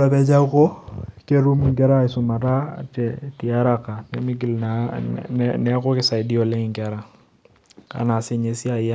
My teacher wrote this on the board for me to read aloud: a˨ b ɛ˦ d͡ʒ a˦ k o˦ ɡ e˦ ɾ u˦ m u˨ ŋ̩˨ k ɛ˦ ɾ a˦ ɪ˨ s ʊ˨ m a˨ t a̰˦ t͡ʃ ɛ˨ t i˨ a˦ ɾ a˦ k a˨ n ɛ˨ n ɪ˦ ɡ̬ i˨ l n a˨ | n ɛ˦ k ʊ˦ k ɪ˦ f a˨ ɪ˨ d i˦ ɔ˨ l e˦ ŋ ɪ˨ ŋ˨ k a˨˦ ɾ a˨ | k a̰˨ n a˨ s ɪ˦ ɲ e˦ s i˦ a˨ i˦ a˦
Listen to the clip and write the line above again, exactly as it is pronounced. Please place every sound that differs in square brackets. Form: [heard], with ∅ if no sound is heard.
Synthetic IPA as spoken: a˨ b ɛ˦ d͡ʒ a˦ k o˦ [k] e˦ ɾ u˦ m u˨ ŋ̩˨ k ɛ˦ ɾ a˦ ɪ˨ s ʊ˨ m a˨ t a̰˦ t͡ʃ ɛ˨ t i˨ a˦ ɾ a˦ k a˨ n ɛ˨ [m] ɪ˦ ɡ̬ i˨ l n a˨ | n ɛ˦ k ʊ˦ k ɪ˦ [s] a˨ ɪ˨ d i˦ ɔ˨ l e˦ ŋ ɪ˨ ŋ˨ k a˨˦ ɾ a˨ | k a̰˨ n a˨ s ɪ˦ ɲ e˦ s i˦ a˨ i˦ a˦